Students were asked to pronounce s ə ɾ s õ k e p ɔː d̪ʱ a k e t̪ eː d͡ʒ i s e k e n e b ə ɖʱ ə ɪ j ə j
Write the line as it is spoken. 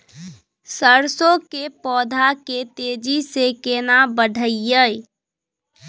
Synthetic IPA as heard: s ə ɾ s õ k e p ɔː d̪ʱ a k e t̪ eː d͡ʒ i s e k e n a b ə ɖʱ ə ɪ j ə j

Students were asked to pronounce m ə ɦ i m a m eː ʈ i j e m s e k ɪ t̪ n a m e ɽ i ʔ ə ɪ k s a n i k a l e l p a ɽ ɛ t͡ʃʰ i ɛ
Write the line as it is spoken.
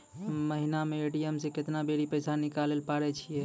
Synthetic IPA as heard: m ə ɦ i n a m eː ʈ i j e m s e k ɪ t̪ n a b e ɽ i p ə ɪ s a n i k a l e l p a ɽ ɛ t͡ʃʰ i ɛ

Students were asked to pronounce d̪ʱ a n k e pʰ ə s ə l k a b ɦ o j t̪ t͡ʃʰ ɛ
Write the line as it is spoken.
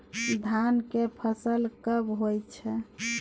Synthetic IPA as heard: d̪ʱ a n k e pʰ ə s ə l k ə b ɦ o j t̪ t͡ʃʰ ɛ

